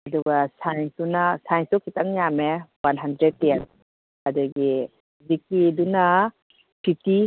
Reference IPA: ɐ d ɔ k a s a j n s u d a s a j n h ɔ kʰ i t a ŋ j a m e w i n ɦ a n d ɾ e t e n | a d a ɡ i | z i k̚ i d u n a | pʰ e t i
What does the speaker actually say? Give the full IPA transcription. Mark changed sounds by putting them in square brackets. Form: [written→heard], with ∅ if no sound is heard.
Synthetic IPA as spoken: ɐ d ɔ [k→ɡ] a s a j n s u [d→n] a s a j n [h→s] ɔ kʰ i t a ŋ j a m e w [i→a] n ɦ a n d ɾ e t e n | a d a ɡ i | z i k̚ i d u n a | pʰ [e→i] t i